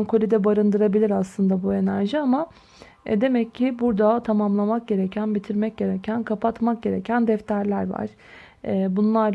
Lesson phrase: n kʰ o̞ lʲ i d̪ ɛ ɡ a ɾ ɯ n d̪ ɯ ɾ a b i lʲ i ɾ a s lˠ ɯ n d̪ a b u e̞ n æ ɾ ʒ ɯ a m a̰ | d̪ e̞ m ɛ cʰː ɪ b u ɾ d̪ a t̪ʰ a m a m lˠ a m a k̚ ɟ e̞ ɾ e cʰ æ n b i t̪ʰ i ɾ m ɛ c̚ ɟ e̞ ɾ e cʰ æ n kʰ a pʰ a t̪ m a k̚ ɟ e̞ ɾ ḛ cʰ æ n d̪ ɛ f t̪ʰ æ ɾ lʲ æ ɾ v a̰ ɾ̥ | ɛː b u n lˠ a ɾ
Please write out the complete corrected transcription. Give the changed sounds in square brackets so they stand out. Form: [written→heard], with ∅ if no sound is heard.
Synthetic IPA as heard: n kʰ o̞ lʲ i d̪ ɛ [ɡ→b] a ɾ ɯ n d̪ ɯ ɾ a b i lʲ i ɾ a s lˠ ɯ n d̪ a b u e̞ n æ ɾ ʒ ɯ a m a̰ | d̪ e̞ m ɛ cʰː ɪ b u ɾ d̪ a t̪ʰ a m a m lˠ a m a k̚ ɟ e̞ ɾ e cʰ æ n b i t̪ʰ i ɾ m ɛ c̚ ɟ e̞ ɾ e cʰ æ n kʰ a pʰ a t̪ m a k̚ ɟ e̞ ɾ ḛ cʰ æ n d̪ ɛ f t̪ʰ æ ɾ lʲ æ ɾ v a̰ ɾ̥ | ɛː b u n lˠ a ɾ